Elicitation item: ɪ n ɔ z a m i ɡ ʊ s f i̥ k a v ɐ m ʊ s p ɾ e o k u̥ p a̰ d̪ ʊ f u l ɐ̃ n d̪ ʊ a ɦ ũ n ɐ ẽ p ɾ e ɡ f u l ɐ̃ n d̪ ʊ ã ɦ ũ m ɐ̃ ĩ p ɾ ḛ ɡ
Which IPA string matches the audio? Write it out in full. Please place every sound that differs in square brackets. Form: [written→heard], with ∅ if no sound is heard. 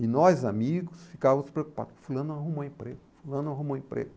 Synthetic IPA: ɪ n ɔ z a m i ɡ ʊ s f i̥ k a v ɐ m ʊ s p ɾ e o k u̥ p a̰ d̪ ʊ f u l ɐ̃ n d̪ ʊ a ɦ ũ [n→m] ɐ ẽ p ɾ e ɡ f u l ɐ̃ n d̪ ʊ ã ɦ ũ m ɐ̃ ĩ p ɾ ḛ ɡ